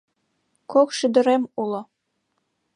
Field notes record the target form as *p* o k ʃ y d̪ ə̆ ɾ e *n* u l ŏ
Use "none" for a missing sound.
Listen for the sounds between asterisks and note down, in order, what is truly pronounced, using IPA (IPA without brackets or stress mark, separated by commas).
k, m